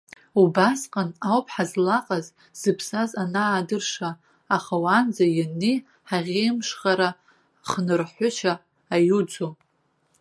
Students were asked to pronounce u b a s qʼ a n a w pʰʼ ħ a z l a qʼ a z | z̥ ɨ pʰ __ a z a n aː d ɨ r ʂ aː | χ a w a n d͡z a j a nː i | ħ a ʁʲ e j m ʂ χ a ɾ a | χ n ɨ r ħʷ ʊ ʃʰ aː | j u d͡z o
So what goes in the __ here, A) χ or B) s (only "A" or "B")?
B